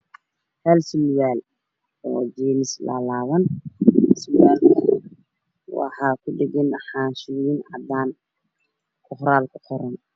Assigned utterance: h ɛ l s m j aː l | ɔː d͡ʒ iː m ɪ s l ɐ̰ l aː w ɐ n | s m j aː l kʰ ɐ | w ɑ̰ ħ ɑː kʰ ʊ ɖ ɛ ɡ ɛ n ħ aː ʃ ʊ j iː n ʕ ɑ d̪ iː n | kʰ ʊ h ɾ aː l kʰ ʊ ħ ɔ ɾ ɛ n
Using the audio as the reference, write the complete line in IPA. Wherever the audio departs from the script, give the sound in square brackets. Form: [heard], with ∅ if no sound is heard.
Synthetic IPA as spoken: h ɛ l s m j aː l | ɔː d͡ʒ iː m ɪ s l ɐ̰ l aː w ɐ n | s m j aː l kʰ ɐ | w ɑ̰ ħ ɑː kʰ ʊ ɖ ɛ ɡ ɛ n ħ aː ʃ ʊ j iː n ʕ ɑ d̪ [aː] n | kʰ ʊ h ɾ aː l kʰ ʊ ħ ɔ ɾ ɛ n